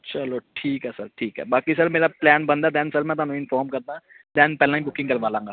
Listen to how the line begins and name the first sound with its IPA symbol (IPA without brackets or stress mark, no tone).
t͡ʃ